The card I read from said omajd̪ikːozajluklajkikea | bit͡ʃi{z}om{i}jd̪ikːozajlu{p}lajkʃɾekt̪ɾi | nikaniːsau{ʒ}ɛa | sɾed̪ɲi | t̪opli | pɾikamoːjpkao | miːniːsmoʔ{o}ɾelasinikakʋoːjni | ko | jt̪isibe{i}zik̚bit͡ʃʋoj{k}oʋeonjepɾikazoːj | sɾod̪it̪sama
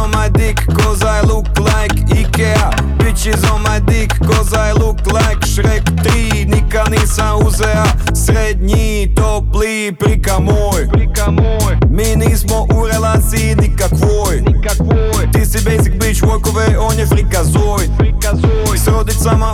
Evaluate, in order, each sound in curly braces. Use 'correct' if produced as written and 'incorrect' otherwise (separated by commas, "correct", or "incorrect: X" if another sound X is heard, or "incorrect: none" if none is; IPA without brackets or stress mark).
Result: correct, incorrect: a, incorrect: k, incorrect: z, incorrect: u, incorrect: j, correct